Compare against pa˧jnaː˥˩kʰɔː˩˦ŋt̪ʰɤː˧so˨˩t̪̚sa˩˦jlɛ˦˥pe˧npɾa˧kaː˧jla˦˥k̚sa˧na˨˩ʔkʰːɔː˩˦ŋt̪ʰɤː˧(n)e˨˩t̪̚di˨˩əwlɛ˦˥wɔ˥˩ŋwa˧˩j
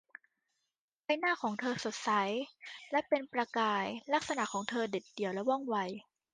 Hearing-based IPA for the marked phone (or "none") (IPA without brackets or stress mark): d